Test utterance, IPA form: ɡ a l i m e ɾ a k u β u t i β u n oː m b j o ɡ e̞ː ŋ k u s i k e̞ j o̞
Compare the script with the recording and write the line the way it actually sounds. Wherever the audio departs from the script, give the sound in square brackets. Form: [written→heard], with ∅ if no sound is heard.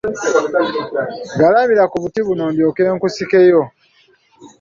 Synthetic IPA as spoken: ɡ a l [i→a] m [e→i] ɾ a k u β u t i β u n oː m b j o [ɡ→k] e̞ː ŋ k u s i k e̞ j o̞

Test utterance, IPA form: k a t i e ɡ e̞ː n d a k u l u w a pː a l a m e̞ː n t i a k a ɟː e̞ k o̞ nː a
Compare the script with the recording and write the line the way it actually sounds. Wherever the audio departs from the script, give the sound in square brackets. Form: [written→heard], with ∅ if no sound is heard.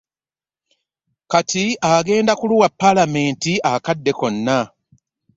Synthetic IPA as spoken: k a t i [e→a] ɡ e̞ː n d a k u l u w a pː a l a m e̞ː n t i a k a [ɟː→dː] e̞ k o̞ nː a

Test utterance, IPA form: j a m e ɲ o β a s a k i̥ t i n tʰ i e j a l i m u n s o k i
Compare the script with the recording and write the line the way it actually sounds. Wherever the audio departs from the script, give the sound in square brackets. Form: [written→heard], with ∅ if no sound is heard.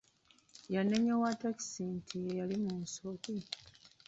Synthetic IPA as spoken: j a [m→n] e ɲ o [β→w] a [s→t] a k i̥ [t→s] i n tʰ i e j a l i m u n s o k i

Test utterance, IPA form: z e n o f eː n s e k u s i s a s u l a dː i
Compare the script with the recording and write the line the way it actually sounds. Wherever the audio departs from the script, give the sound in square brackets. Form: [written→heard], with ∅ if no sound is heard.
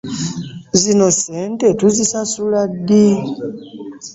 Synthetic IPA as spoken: z [e→i] n o [f→s] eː n [s→t] e [k→t] u [s→z] i s a s u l a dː i

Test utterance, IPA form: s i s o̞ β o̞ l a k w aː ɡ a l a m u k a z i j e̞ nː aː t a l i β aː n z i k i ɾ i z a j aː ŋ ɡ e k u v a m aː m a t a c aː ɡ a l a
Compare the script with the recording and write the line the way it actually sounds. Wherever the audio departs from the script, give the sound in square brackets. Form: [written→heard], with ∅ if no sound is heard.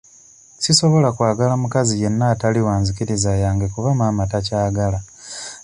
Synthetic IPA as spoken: s i s o̞ β o̞ l a k w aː ɡ a l a m u k a z i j e̞ nː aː t a l i [β→w] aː n z i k i ɾ i z a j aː ŋ ɡ e k u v a m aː m a t a c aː ɡ a l a

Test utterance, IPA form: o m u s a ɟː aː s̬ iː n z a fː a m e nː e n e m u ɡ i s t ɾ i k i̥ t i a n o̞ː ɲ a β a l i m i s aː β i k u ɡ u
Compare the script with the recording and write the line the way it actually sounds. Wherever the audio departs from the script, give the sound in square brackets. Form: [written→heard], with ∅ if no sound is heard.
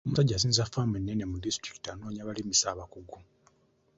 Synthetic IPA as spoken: o m u s a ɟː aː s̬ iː n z a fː a m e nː e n e m u [ɡ→d] i s t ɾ i k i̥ t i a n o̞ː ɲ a β a l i m i s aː β [i→a] k u ɡ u

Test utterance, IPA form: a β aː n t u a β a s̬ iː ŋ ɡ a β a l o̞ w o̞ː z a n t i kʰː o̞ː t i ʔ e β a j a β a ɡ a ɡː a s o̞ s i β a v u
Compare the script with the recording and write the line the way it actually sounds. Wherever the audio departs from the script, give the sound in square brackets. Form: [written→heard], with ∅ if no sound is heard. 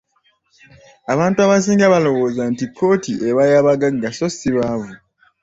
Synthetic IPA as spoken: a β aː n t u a β a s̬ iː ŋ ɡ a β a l o̞ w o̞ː z a n t i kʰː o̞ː t i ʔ e β a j a β a ɡ a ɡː a s o̞ s i β a v u

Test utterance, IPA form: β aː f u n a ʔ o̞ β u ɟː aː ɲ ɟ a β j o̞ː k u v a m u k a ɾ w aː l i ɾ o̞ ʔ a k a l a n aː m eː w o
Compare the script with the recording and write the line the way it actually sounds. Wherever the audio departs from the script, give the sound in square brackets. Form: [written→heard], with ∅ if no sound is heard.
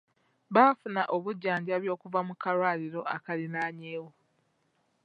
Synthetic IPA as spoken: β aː f u n a ʔ o̞ β u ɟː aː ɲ ɟ a β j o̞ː k u v a m u k a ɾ w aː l i ɾ o̞ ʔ a k a l [a→i] n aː [m→ɲ] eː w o

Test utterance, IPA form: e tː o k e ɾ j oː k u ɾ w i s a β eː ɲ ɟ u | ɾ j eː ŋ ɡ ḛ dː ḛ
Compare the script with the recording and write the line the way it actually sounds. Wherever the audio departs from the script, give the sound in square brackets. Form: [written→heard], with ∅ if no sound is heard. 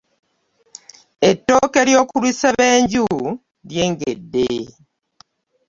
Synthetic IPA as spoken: e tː o k e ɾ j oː k u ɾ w i s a β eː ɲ ɟ u | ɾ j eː ŋ ɡ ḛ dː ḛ

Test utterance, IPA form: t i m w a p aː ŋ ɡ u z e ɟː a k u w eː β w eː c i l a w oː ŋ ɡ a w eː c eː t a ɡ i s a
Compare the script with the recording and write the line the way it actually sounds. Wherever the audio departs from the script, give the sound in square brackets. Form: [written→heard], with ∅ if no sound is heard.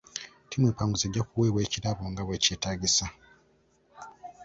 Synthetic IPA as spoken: t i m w [a→e] p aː ŋ ɡ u z e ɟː a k u w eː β w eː c i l a [w→β] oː ŋ ɡ a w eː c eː t a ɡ i s a

